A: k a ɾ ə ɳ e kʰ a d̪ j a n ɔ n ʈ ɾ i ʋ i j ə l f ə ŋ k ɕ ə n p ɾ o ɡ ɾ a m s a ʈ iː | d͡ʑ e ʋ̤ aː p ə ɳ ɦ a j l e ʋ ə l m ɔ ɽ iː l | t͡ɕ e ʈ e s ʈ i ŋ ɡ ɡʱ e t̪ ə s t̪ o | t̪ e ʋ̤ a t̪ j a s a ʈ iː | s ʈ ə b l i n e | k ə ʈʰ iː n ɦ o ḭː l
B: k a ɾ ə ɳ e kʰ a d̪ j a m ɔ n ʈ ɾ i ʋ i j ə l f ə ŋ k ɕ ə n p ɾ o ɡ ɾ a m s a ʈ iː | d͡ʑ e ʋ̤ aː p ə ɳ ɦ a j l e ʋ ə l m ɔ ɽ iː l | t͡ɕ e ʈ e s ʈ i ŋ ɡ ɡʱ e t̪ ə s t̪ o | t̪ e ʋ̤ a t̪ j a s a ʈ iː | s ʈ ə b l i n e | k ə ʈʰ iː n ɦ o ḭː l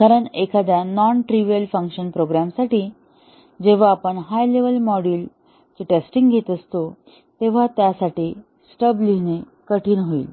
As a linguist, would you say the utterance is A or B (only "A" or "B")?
A